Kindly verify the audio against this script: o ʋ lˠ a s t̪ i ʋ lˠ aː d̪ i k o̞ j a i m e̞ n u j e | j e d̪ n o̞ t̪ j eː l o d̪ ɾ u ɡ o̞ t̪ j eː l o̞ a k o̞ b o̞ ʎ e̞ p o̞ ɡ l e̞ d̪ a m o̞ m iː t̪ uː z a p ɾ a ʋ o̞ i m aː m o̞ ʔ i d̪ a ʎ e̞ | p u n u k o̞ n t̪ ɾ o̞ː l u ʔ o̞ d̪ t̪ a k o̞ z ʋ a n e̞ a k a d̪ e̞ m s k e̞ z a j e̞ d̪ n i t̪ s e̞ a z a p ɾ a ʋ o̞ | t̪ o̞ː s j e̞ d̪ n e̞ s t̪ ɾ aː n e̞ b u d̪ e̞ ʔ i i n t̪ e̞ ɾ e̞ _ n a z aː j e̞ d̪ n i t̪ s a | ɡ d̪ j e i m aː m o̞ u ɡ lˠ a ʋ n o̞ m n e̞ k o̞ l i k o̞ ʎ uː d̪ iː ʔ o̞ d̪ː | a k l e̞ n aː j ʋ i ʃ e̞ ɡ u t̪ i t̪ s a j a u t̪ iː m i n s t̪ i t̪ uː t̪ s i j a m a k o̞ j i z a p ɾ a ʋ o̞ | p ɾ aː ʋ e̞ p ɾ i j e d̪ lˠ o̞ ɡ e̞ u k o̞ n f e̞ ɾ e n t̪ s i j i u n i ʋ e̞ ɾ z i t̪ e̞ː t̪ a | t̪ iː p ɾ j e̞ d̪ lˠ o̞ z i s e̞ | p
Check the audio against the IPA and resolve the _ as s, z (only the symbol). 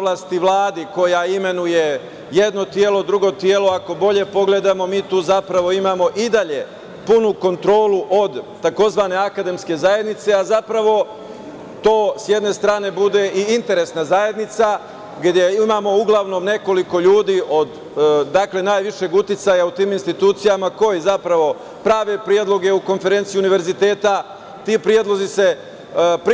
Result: s